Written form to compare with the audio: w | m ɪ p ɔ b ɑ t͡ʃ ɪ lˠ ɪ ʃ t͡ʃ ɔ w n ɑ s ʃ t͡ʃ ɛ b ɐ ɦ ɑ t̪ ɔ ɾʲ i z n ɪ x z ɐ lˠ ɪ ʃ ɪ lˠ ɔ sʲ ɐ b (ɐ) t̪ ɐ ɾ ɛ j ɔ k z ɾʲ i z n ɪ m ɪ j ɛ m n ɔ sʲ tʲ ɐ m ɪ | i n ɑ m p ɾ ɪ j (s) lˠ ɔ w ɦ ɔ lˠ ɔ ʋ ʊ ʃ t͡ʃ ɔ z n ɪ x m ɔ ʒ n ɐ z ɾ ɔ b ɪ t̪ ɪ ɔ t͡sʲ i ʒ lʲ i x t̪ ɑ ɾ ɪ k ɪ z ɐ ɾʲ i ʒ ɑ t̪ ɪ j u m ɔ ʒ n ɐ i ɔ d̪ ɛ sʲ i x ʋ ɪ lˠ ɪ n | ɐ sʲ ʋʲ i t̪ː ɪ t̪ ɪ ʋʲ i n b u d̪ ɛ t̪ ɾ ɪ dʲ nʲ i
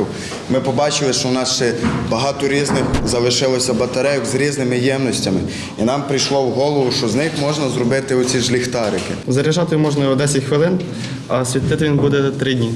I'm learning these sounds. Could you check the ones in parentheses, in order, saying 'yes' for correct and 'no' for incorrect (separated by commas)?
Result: yes, no